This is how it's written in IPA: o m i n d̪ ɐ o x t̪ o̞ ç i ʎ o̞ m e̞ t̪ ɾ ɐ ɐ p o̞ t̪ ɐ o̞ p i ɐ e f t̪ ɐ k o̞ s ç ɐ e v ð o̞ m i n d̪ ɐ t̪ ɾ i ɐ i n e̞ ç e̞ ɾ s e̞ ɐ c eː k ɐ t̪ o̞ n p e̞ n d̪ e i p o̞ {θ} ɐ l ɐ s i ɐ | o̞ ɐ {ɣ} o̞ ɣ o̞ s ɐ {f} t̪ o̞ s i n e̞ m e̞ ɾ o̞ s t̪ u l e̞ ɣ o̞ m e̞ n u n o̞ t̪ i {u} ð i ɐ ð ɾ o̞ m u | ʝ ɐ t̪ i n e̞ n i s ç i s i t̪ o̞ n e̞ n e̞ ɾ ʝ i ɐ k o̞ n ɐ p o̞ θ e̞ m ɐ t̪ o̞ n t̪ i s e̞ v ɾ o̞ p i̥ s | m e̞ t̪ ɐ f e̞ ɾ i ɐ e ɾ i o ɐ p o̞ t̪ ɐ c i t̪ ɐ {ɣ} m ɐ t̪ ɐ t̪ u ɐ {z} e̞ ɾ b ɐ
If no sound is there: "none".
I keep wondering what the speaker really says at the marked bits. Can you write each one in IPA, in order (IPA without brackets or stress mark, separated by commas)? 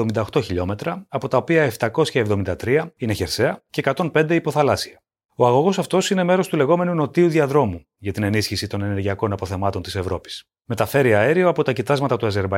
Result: θ, ɣ, f, u, z, z